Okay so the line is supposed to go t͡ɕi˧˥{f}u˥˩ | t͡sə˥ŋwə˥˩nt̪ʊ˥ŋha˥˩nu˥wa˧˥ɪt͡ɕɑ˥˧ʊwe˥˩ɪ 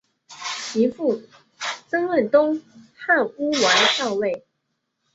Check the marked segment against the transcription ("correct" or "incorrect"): correct